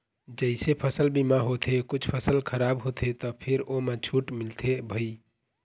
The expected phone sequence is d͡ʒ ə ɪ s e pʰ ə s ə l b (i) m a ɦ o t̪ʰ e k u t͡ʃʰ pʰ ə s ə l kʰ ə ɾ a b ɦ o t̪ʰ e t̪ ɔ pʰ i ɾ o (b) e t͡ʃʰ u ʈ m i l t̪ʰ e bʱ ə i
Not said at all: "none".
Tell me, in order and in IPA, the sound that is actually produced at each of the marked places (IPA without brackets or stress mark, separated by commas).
i, m